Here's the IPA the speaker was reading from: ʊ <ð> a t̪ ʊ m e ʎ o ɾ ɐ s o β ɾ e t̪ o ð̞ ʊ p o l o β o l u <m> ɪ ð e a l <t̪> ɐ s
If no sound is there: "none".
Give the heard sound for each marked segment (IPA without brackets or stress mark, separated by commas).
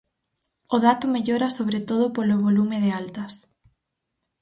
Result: ð, m, t̪